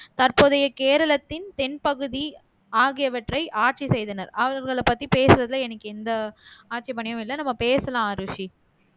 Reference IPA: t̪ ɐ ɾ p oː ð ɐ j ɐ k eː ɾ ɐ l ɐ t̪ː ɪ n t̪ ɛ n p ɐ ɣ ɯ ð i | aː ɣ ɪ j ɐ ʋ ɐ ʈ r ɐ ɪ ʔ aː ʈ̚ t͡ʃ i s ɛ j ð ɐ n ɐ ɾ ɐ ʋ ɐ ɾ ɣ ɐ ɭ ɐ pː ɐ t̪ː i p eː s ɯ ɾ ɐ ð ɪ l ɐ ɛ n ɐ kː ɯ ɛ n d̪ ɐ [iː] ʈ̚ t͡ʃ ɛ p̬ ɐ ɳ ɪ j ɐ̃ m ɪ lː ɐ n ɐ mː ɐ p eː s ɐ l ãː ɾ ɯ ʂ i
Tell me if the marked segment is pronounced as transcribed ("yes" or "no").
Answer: no